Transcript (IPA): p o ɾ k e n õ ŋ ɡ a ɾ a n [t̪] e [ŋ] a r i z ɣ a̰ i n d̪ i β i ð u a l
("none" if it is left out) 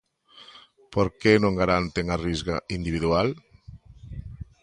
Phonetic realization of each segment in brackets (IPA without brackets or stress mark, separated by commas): t̪, ŋ